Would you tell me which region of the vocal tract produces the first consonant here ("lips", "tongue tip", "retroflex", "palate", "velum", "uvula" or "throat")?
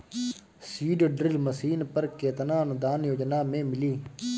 tongue tip